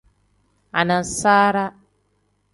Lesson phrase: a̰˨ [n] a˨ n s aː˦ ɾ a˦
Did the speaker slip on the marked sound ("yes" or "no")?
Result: no